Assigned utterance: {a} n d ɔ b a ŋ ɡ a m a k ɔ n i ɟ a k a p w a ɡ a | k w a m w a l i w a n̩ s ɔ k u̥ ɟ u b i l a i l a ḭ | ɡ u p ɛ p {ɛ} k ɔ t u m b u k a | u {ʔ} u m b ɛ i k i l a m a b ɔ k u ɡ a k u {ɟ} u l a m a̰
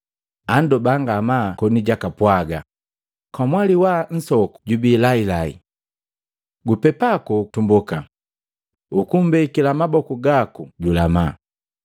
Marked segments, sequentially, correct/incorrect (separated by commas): correct, incorrect, incorrect, correct